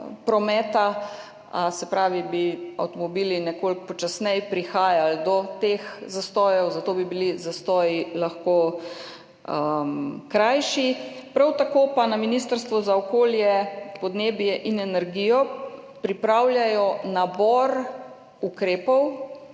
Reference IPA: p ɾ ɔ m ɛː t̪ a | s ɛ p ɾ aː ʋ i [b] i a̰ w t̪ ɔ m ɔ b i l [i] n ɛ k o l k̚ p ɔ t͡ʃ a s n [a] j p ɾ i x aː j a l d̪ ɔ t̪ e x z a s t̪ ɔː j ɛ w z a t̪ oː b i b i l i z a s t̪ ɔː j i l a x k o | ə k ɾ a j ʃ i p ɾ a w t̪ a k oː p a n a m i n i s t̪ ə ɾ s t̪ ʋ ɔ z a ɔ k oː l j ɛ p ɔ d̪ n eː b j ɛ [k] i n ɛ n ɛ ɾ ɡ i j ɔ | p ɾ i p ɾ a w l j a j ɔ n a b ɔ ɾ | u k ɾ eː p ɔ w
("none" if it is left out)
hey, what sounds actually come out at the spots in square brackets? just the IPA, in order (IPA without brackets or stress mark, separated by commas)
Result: b, i, ɛ, ʔ